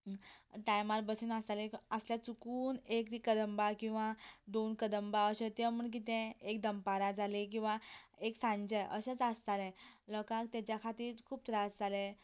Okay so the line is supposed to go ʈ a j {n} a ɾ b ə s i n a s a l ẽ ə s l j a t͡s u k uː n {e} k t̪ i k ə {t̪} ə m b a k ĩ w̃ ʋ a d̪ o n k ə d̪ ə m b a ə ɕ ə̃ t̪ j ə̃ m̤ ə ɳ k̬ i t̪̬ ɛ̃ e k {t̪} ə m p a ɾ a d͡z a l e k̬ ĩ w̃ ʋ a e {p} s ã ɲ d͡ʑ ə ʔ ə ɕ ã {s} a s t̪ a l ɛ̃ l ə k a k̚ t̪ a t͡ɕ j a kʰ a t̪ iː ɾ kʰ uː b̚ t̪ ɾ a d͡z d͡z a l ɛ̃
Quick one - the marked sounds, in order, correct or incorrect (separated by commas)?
incorrect, correct, incorrect, incorrect, incorrect, incorrect